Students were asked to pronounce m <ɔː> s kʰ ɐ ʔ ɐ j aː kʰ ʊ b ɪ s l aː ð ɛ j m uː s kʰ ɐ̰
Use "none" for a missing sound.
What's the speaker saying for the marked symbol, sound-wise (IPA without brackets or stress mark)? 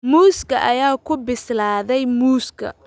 uː